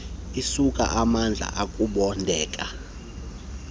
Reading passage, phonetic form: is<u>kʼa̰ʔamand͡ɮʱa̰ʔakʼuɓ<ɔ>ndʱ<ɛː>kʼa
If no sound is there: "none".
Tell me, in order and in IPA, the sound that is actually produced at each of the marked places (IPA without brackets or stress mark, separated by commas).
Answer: u, ɔ, ɛː